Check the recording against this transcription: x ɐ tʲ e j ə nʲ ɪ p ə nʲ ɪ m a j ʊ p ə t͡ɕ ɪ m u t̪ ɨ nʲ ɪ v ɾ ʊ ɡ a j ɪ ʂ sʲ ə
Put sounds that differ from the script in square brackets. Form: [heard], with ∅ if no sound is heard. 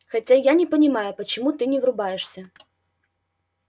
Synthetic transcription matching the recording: x ɐ tʲ [a] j [a] nʲ ɪ p ə nʲ ɪ m a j ʊ p ə t͡ɕ ɪ m u t̪ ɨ nʲ ɪ v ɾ ʊ [b] a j ɪ ʂ sʲ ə